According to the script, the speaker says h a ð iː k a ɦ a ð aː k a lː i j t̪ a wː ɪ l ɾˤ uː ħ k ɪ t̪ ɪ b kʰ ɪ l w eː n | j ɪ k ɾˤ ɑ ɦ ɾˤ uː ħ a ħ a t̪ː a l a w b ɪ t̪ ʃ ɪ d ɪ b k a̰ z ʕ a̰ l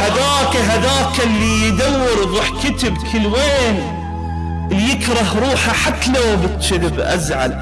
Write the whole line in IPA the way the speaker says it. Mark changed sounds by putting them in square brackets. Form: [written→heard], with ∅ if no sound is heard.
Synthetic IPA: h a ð [iː→aː] k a ɦ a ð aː k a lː i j [t̪→d̪] a wː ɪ [l→ɾ] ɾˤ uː ħ k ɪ t̪ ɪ b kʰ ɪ l w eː n | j ɪ k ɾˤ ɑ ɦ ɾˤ uː ħ a ħ a t̪ː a l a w b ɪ t̪ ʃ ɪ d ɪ b [k→ʔ] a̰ z ʕ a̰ l